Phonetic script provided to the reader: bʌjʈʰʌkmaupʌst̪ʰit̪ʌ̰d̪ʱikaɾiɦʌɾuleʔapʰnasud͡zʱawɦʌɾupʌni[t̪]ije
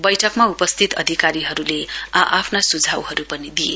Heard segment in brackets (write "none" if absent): d̪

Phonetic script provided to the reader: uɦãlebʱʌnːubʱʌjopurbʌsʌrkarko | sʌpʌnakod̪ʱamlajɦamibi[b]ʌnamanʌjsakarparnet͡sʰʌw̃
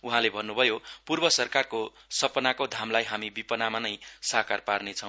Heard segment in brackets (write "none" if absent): p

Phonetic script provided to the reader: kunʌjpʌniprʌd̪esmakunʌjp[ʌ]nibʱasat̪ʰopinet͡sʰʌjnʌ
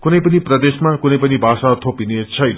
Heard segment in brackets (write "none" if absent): ʌ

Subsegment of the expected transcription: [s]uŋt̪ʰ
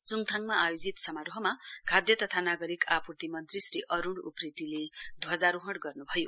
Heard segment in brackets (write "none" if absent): t͡s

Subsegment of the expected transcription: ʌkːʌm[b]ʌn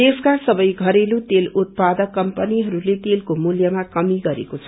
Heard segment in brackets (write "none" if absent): p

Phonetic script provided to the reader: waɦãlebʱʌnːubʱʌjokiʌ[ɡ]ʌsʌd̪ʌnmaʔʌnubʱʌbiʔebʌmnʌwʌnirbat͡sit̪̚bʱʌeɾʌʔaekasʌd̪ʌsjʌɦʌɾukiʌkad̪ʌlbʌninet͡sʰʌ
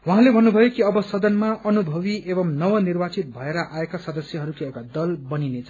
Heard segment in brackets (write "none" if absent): b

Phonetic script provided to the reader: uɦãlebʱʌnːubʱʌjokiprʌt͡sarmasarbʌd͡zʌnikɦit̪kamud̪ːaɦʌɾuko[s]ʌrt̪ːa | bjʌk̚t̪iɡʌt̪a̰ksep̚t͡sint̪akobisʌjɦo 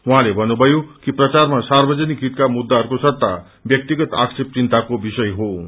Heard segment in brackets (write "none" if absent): s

